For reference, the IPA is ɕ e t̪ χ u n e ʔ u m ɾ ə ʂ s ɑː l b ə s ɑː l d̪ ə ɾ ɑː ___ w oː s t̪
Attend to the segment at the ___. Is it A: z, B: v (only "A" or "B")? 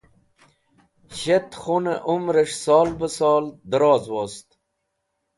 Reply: A